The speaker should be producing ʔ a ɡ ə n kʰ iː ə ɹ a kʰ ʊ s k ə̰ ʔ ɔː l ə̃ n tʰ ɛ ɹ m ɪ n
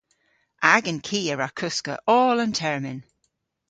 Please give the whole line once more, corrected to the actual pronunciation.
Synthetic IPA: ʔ a ɡ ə n kʰ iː ə ɹ a kʰ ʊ s k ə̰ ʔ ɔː l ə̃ n tʰ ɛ ɹ m ɪ n

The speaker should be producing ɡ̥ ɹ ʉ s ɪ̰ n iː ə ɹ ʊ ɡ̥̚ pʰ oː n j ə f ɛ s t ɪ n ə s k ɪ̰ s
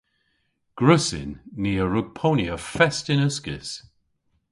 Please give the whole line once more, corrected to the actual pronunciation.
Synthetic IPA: ɡ̥ ɹ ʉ s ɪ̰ nː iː ə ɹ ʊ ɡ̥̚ pʰ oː n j ə f ɛ s t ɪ n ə s k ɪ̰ s

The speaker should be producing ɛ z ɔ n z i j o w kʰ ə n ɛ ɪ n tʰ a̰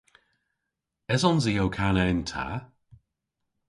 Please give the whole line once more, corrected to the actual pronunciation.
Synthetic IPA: ɛ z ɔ n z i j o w kʰ a n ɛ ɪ n tʰ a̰

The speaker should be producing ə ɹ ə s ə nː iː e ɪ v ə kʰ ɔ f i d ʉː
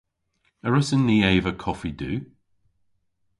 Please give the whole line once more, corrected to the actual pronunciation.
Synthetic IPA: ə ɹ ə s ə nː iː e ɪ v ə kʰ ɔ f i d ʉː

